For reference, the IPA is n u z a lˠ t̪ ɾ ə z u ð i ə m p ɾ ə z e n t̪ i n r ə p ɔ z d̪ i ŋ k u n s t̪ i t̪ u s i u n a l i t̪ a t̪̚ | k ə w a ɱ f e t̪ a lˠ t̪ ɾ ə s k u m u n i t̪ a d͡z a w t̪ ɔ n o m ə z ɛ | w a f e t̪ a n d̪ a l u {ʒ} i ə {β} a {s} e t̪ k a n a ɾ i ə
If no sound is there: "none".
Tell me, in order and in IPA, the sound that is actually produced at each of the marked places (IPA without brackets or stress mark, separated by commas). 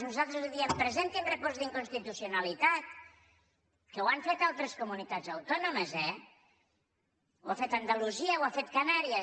z, w, f